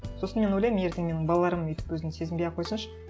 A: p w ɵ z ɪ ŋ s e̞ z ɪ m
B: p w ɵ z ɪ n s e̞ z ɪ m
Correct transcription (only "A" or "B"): B